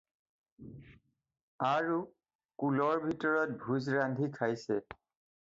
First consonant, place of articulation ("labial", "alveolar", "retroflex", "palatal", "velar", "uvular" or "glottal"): alveolar